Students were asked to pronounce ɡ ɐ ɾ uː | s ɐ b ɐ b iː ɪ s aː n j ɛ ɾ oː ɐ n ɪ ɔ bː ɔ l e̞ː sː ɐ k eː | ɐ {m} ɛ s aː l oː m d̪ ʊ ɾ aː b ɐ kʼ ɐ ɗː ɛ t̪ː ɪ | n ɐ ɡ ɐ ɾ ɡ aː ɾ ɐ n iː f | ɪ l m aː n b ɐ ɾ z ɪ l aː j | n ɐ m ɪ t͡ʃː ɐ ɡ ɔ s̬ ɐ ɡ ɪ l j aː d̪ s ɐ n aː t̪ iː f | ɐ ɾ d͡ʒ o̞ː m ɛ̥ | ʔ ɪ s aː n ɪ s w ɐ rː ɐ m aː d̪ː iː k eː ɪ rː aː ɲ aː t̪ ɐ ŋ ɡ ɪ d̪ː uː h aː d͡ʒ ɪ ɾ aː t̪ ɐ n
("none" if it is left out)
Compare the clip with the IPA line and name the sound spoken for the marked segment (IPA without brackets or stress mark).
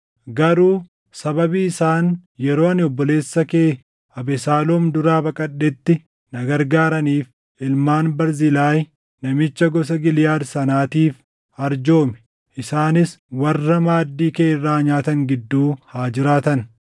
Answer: b